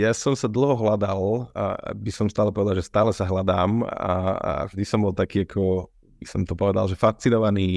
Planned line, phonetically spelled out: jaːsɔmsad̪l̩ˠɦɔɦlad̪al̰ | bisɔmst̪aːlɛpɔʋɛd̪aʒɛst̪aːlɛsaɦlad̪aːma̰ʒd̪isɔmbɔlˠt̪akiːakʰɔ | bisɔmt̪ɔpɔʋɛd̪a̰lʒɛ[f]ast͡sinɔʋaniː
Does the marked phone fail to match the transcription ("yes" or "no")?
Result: no